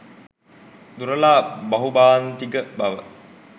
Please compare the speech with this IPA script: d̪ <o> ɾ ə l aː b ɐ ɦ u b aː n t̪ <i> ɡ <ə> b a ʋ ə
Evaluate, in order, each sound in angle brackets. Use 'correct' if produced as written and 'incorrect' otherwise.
incorrect, correct, correct

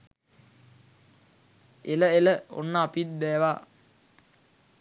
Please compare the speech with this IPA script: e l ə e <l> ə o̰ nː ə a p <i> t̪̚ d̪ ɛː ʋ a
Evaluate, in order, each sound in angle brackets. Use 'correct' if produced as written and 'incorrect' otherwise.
correct, correct

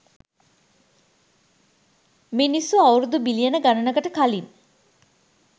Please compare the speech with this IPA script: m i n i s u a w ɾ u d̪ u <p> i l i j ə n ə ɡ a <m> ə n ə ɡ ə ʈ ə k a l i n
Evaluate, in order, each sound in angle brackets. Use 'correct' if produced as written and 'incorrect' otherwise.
incorrect, incorrect

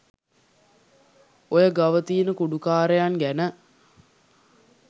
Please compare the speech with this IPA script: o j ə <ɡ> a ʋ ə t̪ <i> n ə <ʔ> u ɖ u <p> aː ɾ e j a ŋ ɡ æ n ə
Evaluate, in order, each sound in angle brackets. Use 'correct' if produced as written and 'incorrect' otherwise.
correct, incorrect, incorrect, incorrect

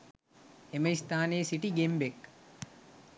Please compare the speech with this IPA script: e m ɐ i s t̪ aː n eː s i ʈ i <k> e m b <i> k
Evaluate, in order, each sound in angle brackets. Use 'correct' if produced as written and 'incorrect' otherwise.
incorrect, incorrect

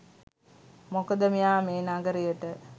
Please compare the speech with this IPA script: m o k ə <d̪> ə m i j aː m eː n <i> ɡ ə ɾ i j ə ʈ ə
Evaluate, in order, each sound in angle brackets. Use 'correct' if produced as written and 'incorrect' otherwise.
correct, incorrect

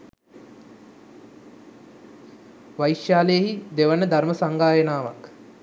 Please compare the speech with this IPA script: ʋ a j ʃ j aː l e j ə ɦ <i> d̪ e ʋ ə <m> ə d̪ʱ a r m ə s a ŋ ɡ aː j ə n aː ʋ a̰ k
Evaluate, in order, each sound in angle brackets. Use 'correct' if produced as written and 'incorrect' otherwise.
correct, incorrect

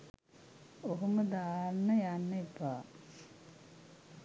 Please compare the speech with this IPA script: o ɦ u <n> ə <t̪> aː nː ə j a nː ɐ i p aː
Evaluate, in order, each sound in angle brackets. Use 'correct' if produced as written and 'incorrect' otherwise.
incorrect, incorrect

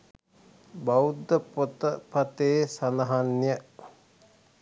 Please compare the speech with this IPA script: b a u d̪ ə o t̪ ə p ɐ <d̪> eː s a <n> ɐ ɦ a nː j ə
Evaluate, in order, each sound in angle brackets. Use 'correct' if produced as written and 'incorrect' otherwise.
incorrect, correct

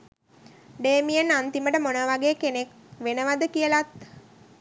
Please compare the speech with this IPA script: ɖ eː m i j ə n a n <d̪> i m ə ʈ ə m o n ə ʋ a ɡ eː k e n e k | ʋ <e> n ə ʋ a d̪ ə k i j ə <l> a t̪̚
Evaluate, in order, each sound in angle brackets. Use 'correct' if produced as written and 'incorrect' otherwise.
incorrect, correct, correct

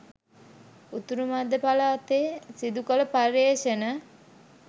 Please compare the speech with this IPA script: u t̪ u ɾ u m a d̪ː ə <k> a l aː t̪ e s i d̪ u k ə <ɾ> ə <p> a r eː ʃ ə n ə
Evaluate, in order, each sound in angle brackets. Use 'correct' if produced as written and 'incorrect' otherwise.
incorrect, incorrect, correct

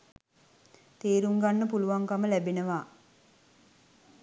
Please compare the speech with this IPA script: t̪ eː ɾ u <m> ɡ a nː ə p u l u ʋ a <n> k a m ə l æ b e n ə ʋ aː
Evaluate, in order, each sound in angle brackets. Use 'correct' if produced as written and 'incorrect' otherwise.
incorrect, incorrect

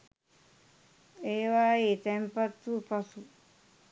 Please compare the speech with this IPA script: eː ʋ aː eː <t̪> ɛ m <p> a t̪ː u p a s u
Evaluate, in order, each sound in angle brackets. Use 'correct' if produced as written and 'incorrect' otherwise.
correct, correct

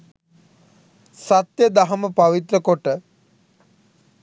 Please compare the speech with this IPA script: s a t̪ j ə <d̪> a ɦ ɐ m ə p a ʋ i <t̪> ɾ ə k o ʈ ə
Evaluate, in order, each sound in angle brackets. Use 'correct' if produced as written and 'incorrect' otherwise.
correct, correct

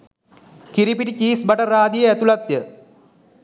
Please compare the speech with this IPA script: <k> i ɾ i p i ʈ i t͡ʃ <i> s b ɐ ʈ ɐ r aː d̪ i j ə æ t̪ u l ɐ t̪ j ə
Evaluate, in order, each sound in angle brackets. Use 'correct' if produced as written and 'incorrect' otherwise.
correct, incorrect

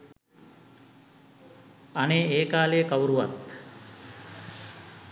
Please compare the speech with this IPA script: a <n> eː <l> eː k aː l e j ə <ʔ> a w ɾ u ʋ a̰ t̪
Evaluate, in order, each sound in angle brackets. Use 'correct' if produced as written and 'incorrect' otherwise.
correct, incorrect, incorrect

